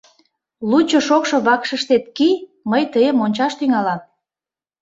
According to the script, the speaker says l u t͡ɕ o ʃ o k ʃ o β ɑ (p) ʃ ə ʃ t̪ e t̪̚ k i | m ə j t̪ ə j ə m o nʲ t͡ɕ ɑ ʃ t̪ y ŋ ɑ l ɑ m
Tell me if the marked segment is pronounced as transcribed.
no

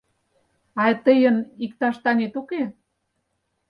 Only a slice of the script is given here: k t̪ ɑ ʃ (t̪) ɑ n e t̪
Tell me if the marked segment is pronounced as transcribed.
yes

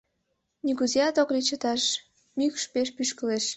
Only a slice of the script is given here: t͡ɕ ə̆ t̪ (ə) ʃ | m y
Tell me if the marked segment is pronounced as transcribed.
no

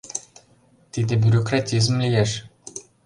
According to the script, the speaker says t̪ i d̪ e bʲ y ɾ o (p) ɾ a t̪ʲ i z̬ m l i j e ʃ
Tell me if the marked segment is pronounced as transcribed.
no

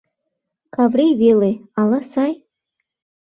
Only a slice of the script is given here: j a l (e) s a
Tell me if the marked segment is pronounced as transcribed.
no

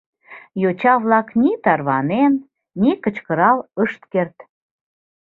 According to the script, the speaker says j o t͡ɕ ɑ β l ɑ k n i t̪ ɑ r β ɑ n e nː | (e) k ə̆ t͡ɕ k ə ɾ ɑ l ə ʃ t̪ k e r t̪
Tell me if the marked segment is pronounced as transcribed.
no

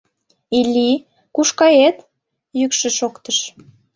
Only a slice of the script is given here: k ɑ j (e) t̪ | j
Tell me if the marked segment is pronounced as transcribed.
yes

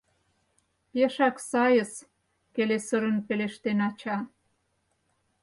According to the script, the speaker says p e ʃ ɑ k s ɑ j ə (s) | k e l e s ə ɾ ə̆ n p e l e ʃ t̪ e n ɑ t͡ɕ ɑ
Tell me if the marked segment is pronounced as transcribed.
yes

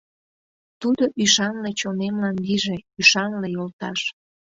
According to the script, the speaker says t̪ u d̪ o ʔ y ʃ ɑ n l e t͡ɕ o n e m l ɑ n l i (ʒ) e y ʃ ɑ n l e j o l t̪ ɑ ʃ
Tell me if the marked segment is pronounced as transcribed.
yes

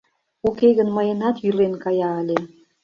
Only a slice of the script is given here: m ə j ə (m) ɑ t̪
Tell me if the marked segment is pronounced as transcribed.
no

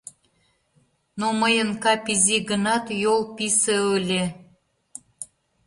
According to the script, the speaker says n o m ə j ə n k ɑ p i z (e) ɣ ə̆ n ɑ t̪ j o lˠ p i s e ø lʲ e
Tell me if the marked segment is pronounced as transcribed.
no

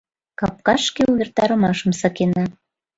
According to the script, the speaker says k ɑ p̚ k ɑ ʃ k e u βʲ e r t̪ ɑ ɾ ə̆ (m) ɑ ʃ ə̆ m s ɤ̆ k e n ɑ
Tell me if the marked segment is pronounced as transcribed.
yes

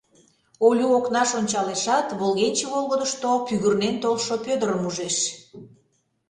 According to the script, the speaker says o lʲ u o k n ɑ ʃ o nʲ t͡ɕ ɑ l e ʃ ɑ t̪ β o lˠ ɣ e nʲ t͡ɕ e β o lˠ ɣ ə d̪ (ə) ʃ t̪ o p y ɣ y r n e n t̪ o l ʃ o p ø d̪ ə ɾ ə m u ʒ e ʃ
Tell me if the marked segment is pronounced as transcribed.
yes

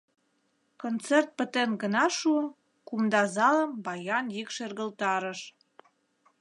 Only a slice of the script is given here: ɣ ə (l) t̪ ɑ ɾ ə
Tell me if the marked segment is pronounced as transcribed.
yes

